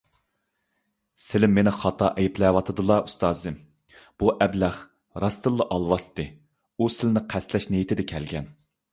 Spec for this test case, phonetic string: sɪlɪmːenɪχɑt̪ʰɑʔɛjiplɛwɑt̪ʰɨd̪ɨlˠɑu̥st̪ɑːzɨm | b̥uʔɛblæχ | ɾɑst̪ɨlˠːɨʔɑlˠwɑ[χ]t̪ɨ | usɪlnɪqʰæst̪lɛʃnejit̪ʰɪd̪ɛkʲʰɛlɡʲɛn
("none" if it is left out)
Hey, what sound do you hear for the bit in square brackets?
s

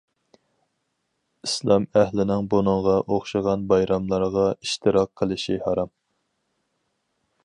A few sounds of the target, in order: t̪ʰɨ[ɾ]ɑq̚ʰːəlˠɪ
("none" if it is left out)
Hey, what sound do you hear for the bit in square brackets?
ɾ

